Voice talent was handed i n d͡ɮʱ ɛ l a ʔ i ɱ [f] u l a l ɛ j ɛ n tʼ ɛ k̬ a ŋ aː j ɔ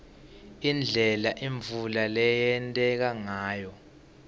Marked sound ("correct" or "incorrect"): incorrect